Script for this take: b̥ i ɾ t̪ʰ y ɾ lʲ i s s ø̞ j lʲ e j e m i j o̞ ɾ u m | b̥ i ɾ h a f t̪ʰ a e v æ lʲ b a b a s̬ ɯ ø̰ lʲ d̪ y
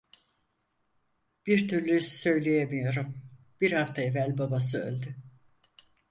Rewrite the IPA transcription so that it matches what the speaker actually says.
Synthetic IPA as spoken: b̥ i ɾ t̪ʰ y ɾ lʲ y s s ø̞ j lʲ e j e m i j o̞ ɾ u m | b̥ i ɾ h a f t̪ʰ a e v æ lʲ b a b a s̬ ɯ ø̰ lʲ d̪ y